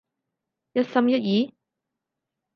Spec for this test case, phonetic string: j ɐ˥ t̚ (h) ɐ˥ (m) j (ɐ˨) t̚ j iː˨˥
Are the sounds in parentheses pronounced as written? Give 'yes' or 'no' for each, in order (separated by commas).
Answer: no, yes, no